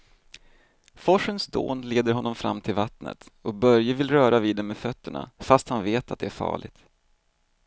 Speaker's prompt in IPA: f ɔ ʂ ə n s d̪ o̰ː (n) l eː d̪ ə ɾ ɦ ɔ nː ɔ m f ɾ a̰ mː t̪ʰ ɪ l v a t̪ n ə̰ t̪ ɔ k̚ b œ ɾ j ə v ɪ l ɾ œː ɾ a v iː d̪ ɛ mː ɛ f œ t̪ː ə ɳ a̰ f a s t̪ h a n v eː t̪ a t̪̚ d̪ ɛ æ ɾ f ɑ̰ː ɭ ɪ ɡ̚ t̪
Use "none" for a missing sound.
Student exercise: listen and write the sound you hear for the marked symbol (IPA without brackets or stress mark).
n